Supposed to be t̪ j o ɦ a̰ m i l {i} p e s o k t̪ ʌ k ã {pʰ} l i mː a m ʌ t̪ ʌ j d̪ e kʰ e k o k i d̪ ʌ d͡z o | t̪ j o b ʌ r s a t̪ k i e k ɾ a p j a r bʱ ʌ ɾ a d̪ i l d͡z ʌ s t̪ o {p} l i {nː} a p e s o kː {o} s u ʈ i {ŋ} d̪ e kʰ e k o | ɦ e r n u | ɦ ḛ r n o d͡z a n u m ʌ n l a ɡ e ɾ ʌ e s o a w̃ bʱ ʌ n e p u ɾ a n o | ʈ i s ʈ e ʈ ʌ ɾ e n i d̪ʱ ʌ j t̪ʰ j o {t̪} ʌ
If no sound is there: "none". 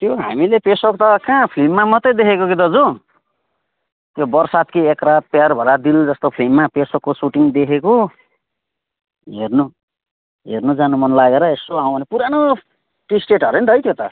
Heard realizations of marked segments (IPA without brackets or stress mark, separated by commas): e, pʰ, pʰ, mː, o, ŋ, t̪